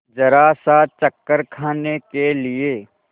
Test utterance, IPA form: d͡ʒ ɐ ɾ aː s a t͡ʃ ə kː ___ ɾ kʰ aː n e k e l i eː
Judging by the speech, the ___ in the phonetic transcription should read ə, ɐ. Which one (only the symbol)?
ə